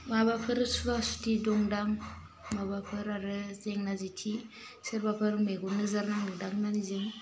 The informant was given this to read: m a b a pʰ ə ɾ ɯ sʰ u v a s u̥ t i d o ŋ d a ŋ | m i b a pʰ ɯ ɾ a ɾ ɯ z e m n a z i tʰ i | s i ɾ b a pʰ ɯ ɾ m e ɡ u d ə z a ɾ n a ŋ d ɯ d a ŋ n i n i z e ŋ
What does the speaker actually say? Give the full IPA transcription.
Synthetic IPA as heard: m a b a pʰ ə ɾ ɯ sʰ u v a s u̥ t i d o ŋ d a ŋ | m a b a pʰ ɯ ɾ a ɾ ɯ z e ŋ n a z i tʰ i | s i ɾ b a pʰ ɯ ɾ m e ɡ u n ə z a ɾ n a ŋ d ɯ d a ŋ n a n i z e ŋ